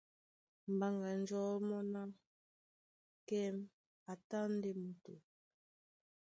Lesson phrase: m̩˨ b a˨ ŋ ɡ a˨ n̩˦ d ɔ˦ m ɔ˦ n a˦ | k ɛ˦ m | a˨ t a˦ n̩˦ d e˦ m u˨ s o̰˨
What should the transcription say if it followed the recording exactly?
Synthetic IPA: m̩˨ b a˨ ŋ ɡ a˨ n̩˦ d͡ʒ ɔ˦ m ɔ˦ n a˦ | k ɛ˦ m | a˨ t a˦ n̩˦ d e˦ m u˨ t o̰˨